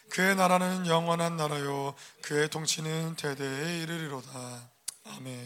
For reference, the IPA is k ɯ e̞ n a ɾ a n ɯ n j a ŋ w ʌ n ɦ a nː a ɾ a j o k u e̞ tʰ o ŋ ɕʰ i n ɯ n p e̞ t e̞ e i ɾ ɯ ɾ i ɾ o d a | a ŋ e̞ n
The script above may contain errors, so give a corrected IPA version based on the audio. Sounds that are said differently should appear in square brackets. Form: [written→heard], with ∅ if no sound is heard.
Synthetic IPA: k ɯ e̞ n a ɾ a n ɯ n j [a→ʌ] ŋ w ʌ n ɦ a nː a ɾ a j o k [u→ɯ] e̞ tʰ o ŋ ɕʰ i n ɯ n [p→t] e̞ [t→d] e̞ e i ɾ ɯ ɾ i ɾ o d a | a [ŋ→m] e̞ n